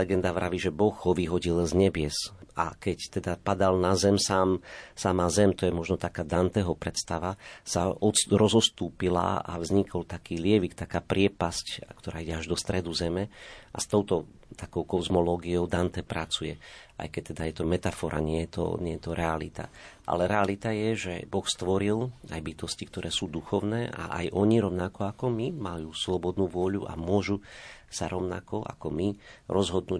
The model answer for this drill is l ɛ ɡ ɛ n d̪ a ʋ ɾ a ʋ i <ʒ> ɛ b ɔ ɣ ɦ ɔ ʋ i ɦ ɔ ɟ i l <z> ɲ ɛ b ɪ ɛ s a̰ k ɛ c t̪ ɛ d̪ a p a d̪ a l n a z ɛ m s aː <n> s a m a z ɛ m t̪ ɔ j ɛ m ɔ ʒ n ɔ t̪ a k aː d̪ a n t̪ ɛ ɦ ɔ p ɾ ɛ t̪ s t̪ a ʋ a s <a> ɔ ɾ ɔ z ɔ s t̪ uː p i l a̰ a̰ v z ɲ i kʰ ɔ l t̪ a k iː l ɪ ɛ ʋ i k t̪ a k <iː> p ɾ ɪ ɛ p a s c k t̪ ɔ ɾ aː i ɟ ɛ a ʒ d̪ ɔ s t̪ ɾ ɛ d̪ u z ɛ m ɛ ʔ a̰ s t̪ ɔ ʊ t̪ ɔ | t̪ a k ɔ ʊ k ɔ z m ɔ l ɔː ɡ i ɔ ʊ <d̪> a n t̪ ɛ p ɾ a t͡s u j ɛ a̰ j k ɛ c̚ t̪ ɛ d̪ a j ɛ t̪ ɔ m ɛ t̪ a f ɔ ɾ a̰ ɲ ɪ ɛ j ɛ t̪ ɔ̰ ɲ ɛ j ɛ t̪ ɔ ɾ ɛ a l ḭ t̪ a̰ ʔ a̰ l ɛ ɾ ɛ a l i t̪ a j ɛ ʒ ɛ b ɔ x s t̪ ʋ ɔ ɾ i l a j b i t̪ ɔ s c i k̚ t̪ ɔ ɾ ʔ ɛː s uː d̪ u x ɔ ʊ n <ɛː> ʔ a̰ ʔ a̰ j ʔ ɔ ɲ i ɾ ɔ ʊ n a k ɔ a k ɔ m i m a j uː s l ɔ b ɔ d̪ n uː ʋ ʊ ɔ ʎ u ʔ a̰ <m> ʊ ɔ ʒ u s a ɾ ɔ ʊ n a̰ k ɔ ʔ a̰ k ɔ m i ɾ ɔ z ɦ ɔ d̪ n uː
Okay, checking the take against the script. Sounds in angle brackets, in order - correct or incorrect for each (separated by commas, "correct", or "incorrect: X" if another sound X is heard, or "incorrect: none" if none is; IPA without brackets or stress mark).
correct, correct, incorrect: m, correct, incorrect: aː, correct, correct, correct